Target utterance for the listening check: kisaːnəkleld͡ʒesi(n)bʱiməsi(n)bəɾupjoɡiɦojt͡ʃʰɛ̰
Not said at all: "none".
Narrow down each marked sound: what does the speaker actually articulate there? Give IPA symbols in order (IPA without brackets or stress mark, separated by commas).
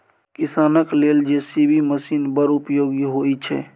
none, n